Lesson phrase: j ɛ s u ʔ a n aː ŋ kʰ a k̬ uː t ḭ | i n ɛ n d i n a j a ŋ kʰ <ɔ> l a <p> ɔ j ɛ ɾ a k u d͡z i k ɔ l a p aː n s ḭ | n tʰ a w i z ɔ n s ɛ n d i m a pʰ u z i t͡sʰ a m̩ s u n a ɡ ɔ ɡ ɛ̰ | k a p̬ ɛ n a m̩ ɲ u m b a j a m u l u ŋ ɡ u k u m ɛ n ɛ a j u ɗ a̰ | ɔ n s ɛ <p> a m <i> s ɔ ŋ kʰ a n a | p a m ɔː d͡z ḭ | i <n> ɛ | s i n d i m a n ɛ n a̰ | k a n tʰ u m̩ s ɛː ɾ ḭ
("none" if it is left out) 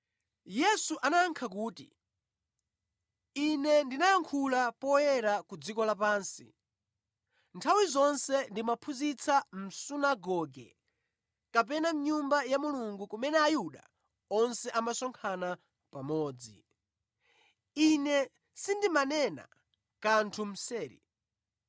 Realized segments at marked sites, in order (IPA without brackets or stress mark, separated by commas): u, p, ʔ, a, n